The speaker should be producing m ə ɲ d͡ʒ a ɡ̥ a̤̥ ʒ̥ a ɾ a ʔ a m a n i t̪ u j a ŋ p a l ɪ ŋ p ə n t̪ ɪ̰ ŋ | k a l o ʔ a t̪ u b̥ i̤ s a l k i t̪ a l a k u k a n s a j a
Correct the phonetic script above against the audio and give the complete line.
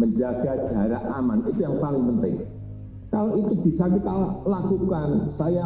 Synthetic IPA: m ə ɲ d͡ʒ a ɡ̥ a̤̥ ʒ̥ a ɾ a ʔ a m a n i t̪ u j a ŋ p a l ɪ ŋ p ə n t̪ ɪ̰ ŋ | k a l o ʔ i t̪ u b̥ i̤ s a k i t̪ a l a k u k a n s a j a